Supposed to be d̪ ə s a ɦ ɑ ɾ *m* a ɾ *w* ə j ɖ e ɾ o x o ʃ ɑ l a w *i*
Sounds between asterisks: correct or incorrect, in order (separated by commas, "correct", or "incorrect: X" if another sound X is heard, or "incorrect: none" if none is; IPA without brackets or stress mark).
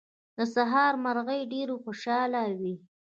correct, incorrect: ɣ, correct